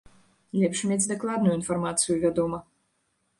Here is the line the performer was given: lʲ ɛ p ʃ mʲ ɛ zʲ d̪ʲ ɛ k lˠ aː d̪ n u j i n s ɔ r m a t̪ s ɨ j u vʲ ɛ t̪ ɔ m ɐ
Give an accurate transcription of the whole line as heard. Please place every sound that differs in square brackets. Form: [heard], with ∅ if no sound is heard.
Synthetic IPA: lʲ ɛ p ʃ mʲ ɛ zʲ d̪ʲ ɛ k lˠ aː d̪ n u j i n [f] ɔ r m a t̪ s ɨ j u vʲ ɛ [d̪] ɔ m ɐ